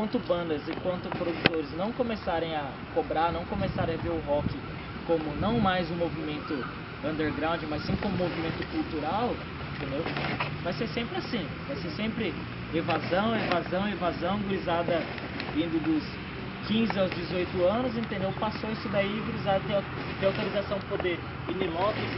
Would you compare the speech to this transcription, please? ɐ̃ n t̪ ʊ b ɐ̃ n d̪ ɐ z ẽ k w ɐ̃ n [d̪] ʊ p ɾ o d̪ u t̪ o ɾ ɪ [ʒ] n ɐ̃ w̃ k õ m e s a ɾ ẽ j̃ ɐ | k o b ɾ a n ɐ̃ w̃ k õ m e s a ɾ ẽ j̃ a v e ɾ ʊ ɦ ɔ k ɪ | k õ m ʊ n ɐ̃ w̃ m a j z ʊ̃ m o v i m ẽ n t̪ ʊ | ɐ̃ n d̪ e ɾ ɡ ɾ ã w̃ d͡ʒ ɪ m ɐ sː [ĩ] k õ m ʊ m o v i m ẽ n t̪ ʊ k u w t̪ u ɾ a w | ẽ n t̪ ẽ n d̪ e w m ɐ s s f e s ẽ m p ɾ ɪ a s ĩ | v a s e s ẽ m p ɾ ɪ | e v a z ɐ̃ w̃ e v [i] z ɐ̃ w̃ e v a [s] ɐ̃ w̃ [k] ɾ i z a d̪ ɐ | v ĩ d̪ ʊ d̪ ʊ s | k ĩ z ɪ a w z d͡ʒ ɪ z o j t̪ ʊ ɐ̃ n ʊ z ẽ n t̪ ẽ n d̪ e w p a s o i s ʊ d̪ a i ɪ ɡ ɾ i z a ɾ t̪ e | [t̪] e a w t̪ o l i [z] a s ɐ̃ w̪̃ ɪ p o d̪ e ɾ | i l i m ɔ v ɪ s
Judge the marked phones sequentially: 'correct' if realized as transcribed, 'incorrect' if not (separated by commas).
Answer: incorrect, incorrect, correct, incorrect, incorrect, incorrect, correct, correct